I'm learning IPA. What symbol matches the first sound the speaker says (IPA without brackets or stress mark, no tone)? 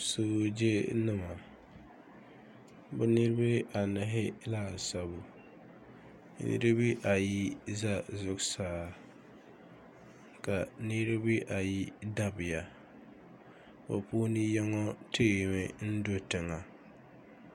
s